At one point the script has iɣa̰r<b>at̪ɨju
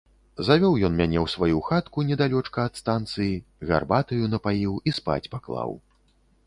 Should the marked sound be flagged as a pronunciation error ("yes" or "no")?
no